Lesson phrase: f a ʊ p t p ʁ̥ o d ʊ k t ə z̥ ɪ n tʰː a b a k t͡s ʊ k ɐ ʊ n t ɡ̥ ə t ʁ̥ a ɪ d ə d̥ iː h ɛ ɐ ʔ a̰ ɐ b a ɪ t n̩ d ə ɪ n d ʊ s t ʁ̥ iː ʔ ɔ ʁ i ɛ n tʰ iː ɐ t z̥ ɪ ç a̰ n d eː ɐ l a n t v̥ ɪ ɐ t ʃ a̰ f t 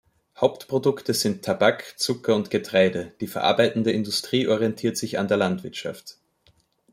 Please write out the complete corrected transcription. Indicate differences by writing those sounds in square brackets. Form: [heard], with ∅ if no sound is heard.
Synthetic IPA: [h] a ʊ p t p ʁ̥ o d ʊ k t ə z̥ ɪ n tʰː a b a k t͡s ʊ k ɐ ʊ n t ɡ̥ ə t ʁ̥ a ɪ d ə d̥ iː [f] ɛ ɐ ʔ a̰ ɐ b a ɪ t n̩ d ə ɪ n d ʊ s t ʁ̥ iː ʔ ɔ ʁ i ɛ n tʰ iː ɐ t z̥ ɪ ç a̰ n d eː ɐ l a n t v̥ ɪ ɐ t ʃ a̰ f t